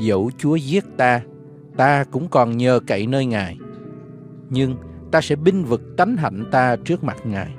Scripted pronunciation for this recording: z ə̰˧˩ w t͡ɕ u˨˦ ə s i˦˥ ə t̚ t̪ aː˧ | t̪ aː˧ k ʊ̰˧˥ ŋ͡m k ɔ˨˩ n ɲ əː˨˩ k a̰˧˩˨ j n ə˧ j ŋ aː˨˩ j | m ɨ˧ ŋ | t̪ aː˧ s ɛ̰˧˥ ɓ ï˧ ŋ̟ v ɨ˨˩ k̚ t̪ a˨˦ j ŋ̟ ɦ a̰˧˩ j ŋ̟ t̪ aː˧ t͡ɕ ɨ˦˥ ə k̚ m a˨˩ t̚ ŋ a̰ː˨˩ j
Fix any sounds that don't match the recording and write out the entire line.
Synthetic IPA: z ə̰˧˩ w t͡ɕ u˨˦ ə z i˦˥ ə t̚ t̪ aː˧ | t̪ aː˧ k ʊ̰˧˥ ŋ͡m k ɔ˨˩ n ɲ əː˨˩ k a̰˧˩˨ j n əː˧ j ŋ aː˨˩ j | ɲ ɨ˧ ŋ | t̪ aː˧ s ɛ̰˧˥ ɓ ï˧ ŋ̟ v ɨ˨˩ k̚ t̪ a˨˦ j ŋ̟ ɦ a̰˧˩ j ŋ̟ t̪ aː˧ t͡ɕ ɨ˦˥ ə k̚ m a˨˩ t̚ ŋ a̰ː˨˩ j